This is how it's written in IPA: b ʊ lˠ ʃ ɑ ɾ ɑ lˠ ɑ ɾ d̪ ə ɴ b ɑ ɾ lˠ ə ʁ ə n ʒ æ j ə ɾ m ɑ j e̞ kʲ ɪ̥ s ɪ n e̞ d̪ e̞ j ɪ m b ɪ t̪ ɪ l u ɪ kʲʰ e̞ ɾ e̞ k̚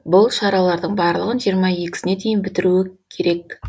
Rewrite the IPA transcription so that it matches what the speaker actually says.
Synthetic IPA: b ʊ lˠ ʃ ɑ ɾ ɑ lˠ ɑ ɾ d̪ ə ɴ b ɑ ɾ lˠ ə ʁ ə n ʒ i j ə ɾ m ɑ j e̞ kʲ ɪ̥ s ɪ n e̞ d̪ e̞ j ɪ n b ɪ t̪ ɪ ɾ u ɪ kʲʰ e̞ ɾ e̞ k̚